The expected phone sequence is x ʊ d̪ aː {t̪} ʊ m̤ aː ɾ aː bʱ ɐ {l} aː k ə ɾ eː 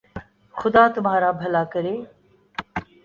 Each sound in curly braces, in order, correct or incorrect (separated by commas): correct, correct